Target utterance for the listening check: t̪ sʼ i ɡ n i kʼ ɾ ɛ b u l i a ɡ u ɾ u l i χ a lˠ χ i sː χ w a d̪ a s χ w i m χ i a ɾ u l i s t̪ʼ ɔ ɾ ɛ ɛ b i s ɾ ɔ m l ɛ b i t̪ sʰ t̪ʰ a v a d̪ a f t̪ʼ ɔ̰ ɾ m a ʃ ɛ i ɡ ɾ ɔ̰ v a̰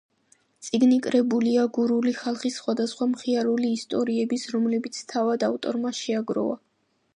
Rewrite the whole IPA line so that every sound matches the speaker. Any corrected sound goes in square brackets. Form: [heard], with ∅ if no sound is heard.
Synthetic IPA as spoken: t̪ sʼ i ɡ n i kʼ ɾ ɛ b u l i a ɡ u ɾ u l i χ a lˠ χ i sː χ w a d̪ a s χ w [a] m χ i a ɾ u l [iː] s t̪ʼ ɔ ɾ [i] ɛ b i s ɾ ɔ m l ɛ b i t̪ sʰ t̪ʰ a v a d̪ a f t̪ʼ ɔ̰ ɾ m a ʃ ɛ [a] ɡ ɾ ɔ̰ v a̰